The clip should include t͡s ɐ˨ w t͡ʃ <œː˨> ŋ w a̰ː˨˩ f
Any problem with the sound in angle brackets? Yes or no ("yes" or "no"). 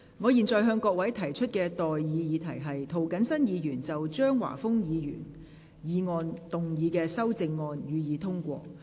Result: yes